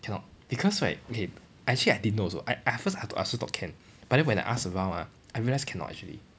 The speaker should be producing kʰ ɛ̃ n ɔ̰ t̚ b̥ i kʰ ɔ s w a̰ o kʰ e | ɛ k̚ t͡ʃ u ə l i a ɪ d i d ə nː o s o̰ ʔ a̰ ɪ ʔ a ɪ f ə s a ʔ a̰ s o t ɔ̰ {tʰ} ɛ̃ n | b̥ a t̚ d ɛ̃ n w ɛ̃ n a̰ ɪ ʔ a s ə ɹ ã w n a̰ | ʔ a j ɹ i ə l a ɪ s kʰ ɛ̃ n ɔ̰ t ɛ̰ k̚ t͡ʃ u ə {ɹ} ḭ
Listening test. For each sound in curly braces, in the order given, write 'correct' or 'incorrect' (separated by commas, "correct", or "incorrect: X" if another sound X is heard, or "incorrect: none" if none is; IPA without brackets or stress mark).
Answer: incorrect: kʰ, incorrect: l